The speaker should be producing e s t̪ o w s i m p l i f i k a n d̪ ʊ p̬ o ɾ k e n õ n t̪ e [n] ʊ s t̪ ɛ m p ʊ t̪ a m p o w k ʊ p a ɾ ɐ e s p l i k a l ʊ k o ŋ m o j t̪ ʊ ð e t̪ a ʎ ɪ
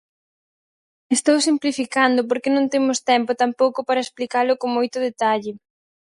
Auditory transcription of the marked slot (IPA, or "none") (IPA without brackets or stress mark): m